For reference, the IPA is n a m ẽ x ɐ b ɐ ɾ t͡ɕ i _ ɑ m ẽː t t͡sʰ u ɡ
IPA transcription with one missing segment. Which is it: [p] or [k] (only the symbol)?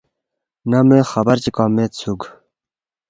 k